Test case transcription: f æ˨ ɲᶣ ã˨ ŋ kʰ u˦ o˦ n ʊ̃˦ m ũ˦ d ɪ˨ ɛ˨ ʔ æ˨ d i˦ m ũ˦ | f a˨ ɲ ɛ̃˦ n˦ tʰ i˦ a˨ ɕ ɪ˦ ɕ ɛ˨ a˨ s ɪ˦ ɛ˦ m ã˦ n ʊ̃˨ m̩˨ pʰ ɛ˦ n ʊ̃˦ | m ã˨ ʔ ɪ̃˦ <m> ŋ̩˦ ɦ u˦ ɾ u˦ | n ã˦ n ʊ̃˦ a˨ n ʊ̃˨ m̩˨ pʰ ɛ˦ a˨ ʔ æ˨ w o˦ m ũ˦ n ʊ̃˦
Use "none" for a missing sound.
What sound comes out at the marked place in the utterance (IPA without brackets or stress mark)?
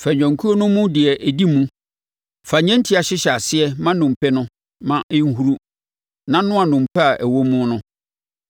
none